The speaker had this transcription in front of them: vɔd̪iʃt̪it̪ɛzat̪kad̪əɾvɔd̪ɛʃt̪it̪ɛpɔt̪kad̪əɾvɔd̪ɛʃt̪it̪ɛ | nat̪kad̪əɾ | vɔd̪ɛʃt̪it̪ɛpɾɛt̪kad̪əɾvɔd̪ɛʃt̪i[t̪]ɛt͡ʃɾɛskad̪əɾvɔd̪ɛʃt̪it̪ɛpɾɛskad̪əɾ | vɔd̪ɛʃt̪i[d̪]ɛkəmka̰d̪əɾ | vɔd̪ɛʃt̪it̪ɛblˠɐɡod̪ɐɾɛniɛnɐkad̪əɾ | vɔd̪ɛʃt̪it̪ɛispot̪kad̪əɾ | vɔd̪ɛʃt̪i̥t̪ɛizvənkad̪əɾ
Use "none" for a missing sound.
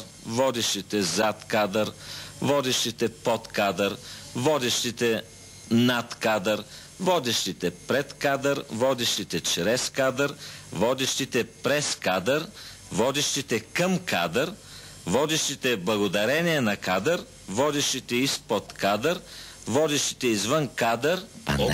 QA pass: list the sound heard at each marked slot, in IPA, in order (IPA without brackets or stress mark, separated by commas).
t̪, t̪